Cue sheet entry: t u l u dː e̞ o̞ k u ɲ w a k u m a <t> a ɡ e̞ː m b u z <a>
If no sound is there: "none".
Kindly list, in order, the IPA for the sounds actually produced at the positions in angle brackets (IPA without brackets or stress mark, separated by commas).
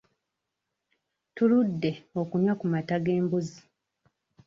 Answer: t, i